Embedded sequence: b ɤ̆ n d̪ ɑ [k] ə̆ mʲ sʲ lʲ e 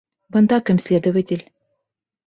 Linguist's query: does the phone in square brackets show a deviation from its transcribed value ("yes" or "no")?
no